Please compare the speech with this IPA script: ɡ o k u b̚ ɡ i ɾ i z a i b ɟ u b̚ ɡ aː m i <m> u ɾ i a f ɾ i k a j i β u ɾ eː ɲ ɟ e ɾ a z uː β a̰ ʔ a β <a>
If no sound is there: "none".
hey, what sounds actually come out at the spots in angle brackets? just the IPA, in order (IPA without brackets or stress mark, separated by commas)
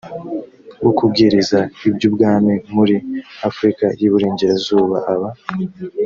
m, a